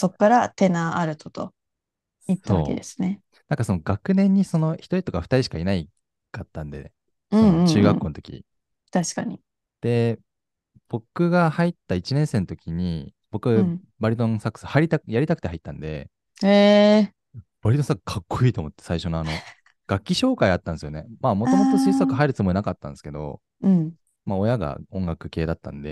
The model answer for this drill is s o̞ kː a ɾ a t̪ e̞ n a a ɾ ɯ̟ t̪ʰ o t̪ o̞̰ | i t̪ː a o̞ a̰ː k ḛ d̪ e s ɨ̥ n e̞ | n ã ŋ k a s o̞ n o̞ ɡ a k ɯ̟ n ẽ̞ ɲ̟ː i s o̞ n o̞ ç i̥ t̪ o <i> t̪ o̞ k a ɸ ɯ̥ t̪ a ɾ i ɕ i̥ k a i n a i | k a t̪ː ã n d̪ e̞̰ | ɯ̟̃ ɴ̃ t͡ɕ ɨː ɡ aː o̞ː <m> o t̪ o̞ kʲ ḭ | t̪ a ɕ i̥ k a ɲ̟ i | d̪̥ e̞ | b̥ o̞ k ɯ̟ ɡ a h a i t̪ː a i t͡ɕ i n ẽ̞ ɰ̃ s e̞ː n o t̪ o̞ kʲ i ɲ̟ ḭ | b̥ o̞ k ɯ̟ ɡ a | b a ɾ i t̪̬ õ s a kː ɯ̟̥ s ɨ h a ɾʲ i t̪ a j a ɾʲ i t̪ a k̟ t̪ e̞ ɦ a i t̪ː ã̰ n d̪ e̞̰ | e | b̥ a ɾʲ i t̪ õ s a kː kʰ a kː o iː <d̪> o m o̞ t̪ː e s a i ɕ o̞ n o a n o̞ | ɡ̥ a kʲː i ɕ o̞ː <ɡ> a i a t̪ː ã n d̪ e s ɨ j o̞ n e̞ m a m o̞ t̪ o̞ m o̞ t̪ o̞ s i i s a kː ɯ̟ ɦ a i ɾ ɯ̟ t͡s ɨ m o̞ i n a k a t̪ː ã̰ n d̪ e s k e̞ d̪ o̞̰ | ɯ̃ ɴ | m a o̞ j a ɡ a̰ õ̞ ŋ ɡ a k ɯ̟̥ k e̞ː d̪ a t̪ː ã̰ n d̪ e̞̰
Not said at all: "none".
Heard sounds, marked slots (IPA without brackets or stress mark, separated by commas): i, n, t̪, k